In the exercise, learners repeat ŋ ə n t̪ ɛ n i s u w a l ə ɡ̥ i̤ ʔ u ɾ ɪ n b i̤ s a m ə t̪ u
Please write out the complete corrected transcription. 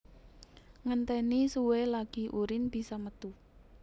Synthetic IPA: ŋ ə n t̪ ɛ n i s u w e l a ɡ̥ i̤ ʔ u ɾ ɪ n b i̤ s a m ə t̪ u